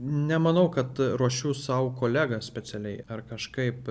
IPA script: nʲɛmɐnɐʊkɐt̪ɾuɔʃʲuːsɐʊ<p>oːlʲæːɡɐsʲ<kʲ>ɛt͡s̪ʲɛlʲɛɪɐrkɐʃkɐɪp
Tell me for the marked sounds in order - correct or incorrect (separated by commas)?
incorrect, incorrect